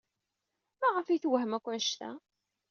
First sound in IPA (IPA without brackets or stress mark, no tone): m